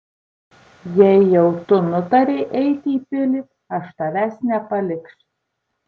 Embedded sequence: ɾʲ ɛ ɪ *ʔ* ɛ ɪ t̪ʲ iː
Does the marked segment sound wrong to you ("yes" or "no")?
no